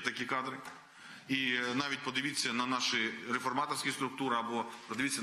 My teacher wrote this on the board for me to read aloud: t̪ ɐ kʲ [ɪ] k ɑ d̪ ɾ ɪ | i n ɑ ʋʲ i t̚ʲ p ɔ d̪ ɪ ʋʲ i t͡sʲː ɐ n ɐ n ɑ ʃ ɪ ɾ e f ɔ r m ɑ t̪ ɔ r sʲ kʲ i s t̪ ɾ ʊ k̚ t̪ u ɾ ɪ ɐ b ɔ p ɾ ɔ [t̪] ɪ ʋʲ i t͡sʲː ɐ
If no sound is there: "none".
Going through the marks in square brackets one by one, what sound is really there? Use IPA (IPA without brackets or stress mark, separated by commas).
i, d̪